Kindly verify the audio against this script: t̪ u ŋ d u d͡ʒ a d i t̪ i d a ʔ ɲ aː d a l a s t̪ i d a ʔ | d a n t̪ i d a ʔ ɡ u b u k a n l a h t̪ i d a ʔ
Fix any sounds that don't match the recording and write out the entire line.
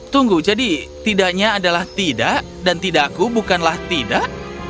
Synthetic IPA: t̪ u ŋ ɡ u d͡ʒ a d i t̪ i d a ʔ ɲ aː d a l a h t̪ i d a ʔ | d a n t̪ i d a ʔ k u b u k a n l a h t̪ i d a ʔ